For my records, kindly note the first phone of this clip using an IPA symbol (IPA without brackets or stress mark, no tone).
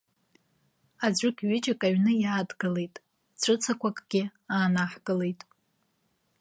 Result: a